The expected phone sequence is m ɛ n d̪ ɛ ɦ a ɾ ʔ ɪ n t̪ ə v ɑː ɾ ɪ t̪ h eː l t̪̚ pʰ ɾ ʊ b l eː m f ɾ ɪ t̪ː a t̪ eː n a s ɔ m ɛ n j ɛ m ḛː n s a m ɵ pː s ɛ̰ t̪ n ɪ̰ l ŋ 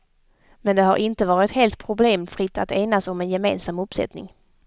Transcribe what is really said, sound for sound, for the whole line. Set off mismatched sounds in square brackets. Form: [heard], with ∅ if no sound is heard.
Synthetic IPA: m ɛ n d̪ ɛ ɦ a ɾ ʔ ɪ n t̪ ə v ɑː ɾ ɪ t̪ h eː l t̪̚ pʰ ɾ ʊ b l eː m f ɾ ɪ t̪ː a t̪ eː n a s ɔ m ɛ n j ɛ m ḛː n s a m ɵ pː s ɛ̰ t̪ n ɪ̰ [∅] ŋ